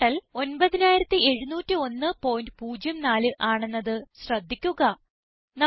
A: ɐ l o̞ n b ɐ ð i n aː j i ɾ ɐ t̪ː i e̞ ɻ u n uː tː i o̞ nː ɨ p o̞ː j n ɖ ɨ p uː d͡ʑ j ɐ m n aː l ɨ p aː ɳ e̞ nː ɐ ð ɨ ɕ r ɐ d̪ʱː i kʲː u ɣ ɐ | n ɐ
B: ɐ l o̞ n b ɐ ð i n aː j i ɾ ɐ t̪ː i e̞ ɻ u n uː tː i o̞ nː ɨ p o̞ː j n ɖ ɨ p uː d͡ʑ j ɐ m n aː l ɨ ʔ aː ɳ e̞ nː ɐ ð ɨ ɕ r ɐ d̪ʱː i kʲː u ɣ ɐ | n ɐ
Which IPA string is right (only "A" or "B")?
B